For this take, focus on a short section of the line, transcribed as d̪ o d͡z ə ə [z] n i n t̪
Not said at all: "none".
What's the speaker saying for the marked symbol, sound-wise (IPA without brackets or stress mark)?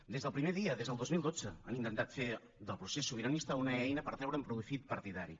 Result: none